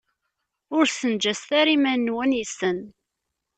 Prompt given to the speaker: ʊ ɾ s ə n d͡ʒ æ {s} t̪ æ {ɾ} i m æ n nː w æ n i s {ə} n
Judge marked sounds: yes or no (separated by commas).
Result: yes, yes, yes